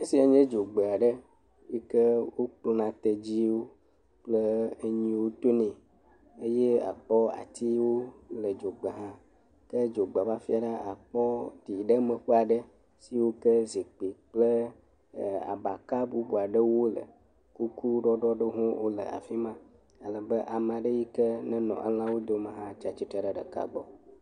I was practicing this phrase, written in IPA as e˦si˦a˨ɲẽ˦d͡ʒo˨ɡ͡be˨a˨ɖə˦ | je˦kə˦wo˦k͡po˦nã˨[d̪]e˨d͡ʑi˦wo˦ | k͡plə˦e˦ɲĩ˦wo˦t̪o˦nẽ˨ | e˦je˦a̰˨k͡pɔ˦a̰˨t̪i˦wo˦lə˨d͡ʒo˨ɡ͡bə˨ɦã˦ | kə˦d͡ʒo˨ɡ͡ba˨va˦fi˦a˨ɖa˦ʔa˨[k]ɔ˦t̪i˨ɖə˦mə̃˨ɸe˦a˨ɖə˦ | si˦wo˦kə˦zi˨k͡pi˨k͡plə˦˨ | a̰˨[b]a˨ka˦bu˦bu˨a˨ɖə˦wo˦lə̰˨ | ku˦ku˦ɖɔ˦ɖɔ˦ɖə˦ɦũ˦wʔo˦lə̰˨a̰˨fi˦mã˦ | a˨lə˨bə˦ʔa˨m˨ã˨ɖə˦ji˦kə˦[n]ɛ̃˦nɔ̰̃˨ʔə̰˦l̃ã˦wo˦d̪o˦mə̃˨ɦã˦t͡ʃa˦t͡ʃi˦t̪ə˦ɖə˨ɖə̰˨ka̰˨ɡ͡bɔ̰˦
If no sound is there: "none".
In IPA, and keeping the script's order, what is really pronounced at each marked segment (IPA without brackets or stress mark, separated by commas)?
t̪, k͡p, b, n